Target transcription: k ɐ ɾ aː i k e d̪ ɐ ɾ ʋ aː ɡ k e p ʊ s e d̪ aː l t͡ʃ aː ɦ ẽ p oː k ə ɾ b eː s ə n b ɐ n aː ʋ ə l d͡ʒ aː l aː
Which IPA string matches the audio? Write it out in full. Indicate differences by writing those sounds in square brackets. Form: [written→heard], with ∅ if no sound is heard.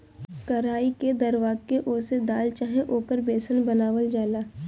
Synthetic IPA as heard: k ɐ ɾ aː i k e d̪ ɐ ɾ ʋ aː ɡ k e [p→ʔ] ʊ s e d̪ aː l t͡ʃ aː ɦ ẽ [p→ʔ] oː k ə ɾ b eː s ə n b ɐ n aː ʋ ə l d͡ʒ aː l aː